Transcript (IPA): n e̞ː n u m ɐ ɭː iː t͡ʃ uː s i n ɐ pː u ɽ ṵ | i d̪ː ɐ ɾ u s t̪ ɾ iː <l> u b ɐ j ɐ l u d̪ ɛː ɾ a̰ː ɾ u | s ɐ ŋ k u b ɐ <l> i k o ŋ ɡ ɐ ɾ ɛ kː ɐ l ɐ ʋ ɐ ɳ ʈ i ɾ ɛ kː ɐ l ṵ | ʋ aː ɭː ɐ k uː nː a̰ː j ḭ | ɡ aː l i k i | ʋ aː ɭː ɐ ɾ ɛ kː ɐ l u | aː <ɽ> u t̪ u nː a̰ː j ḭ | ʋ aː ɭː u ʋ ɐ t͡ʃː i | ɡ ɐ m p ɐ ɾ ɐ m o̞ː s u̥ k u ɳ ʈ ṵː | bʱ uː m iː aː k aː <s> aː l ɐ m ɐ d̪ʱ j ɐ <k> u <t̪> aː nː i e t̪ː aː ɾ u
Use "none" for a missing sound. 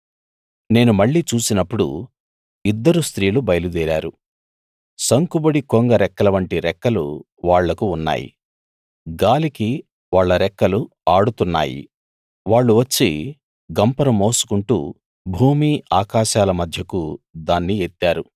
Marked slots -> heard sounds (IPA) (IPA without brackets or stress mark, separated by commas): l, ɽ, ɽ, ʃ, k, d̪